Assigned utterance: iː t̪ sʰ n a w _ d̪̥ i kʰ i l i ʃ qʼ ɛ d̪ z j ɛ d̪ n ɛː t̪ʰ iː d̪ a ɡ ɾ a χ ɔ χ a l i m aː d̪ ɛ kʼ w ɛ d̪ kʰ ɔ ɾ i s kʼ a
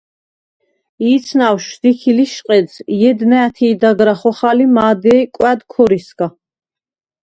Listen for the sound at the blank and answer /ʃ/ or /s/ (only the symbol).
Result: ʃ